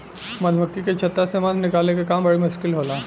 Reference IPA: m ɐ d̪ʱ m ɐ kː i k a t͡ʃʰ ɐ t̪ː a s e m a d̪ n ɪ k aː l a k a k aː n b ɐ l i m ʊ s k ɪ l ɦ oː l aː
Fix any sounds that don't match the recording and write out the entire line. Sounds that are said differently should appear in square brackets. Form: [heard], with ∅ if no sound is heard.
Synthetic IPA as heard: m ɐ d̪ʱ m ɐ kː i k [e] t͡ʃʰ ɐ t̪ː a s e m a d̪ n ɪ k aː l [e] k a k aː [m] b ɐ [ɽ] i m ʊ [ʃ] k ɪ l ɦ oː l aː